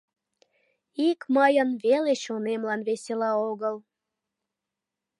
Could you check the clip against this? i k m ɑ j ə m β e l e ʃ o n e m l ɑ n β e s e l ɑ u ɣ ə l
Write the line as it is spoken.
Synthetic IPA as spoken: i k m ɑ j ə n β e l e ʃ o n e m l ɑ n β e s e l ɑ o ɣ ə l